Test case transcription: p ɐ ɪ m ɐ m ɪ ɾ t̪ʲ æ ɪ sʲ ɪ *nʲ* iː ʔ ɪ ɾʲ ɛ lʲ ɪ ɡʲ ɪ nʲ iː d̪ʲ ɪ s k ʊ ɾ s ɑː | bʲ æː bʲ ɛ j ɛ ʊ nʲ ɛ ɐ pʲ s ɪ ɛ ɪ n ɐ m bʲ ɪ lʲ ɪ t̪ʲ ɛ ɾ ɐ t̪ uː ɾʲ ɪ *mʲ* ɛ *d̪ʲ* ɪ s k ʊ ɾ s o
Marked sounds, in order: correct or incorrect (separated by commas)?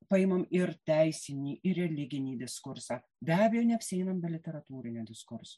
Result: correct, incorrect, correct